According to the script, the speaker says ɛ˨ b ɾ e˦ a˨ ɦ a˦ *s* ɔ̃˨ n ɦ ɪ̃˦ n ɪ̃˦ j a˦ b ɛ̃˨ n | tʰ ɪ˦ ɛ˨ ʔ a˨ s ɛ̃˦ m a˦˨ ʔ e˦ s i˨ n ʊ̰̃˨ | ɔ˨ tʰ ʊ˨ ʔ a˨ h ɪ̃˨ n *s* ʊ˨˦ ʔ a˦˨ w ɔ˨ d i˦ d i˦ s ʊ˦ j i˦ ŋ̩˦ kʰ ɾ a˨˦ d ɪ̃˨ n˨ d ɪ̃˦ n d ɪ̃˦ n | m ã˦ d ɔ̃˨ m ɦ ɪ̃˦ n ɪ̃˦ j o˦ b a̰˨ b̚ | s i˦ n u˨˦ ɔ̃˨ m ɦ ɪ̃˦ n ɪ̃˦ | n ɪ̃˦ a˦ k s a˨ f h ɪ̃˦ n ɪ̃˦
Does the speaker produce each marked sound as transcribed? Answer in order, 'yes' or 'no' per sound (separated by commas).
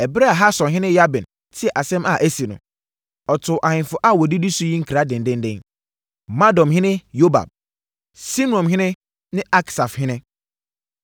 yes, no